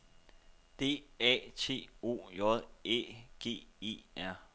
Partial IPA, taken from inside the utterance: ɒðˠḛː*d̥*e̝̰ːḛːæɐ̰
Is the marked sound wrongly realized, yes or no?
yes